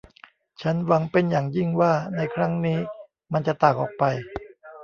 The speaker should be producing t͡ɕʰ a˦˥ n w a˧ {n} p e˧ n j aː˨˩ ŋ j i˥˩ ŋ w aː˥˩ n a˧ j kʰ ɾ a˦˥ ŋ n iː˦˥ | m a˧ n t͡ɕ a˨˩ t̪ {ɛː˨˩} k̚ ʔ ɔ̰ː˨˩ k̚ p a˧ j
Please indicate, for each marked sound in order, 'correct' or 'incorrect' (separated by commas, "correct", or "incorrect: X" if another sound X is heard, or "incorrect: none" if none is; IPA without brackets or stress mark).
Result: incorrect: ŋ, incorrect: aː˨˩